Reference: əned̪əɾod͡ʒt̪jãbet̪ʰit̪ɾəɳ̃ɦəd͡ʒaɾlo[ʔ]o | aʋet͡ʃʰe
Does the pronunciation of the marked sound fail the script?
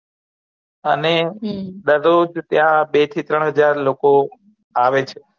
yes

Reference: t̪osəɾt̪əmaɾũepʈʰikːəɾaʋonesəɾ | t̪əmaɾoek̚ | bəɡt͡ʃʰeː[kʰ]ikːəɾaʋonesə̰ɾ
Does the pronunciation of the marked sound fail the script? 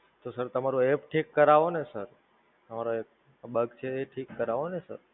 yes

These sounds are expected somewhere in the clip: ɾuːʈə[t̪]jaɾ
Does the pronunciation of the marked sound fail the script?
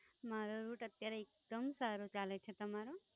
no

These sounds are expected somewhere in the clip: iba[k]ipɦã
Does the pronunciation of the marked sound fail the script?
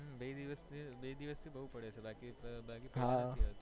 no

